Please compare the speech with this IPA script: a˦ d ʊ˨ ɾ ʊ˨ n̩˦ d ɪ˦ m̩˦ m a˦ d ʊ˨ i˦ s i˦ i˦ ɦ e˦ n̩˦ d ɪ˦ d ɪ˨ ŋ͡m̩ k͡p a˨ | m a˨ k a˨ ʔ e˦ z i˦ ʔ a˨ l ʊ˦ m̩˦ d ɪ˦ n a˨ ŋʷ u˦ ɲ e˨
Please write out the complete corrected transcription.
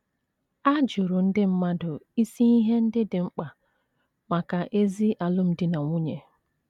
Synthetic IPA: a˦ d͡ʒ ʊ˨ ɾ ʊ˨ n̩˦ d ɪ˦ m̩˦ m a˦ d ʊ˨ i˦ s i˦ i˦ ɦ e˦ n̩˦ d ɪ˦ d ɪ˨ ŋ͡m̩ k͡p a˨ | m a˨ k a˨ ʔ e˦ z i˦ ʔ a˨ l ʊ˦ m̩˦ d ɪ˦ n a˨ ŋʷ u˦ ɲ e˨